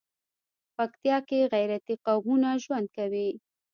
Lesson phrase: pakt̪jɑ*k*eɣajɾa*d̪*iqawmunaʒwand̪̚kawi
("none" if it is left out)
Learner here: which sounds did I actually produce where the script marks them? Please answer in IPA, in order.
k, t̪

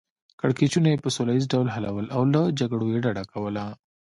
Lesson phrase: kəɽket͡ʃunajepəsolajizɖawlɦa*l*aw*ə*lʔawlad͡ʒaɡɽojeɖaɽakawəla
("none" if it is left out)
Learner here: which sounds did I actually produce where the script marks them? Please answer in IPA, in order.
l, ə

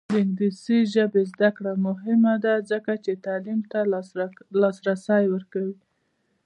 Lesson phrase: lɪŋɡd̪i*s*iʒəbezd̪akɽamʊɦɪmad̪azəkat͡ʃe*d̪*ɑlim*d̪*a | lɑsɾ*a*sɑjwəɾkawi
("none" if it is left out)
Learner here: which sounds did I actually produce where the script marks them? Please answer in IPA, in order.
s, t̪, t̪, a

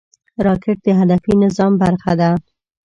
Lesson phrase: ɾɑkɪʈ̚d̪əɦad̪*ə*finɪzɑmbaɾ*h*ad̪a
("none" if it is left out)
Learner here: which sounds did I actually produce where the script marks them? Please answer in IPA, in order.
a, x

